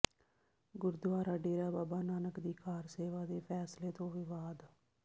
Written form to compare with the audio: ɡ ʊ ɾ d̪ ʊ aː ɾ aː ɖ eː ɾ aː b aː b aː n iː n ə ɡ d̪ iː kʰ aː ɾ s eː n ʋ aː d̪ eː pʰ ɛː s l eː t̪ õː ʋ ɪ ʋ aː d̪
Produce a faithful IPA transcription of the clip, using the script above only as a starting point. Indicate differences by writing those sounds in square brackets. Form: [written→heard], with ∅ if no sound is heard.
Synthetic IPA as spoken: ɡ ʊ ɾ d̪ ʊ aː ɾ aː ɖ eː ɾ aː b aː b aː n [iː→aː] n ə [ɡ→k] d̪ iː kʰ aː ɾ s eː [n→∅] ʋ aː d̪ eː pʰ ɛː s l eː t̪ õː ʋ ɪ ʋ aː d̪